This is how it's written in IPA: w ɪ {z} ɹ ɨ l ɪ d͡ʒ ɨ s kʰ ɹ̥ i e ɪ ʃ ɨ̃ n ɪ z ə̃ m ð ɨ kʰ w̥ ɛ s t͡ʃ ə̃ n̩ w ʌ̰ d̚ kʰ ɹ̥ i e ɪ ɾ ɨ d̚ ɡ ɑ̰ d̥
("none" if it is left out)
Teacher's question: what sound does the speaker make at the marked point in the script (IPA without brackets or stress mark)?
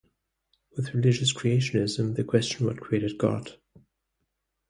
ð